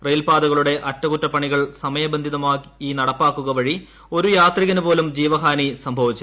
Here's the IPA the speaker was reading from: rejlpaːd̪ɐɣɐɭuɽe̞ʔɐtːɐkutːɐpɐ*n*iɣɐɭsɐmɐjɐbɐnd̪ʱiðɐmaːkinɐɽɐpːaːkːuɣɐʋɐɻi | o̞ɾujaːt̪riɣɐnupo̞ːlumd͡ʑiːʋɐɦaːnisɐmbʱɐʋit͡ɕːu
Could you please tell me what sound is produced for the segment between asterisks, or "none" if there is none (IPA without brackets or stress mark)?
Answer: ɳ